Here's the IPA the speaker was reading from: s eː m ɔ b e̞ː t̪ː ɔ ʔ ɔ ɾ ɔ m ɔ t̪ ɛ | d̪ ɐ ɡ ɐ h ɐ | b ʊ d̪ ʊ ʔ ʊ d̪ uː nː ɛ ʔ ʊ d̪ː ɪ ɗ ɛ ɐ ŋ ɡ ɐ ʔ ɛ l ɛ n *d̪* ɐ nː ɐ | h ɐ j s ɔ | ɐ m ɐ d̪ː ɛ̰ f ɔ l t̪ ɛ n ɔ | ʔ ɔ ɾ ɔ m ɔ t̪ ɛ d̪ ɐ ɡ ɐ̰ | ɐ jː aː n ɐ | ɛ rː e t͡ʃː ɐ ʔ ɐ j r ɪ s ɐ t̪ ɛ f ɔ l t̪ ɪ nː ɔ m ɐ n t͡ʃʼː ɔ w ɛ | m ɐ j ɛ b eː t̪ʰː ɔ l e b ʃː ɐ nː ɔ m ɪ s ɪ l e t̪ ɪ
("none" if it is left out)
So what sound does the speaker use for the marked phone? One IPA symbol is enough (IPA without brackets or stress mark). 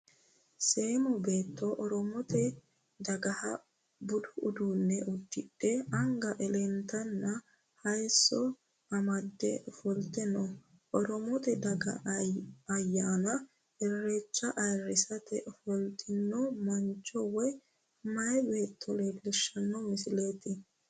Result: t̪